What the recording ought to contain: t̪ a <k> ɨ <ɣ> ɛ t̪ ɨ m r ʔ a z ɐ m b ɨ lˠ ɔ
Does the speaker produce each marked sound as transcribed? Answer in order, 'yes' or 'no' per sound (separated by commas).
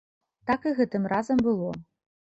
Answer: yes, yes